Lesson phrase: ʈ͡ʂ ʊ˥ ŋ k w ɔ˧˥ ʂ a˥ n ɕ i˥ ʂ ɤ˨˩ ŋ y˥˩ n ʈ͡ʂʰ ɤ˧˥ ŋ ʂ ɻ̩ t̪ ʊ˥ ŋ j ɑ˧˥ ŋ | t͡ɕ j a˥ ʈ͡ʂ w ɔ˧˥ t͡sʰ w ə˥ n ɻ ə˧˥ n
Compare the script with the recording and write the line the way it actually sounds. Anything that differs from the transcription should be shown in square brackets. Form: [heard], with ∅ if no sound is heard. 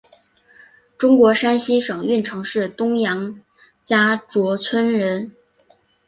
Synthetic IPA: ʈ͡ʂ ʊ˥ ŋ k w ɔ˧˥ ʂ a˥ n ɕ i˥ ʂ ɤ˨˩ ŋ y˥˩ n ʈ͡ʂʰ ɤ˧˥ ŋ ʂ ɻ̩ t̪ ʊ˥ ŋ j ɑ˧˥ ŋ | t͡ɕ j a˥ ʈ͡ʂ w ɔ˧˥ t͡sʰ w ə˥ n ɻ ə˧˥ n